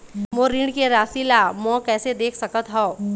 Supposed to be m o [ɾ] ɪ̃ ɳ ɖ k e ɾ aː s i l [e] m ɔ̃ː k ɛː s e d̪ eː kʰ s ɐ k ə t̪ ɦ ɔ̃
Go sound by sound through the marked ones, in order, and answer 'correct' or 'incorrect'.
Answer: correct, incorrect: a

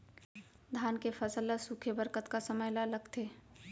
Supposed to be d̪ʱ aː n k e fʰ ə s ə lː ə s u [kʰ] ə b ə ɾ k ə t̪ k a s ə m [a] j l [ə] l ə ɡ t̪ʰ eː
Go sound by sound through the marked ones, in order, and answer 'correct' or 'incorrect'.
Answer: correct, incorrect: ə, incorrect: a

